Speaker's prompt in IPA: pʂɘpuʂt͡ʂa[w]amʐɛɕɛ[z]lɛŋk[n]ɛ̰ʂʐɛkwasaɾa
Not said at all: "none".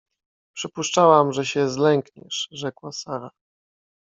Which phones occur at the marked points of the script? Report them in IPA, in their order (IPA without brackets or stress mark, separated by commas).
w, z, ɲ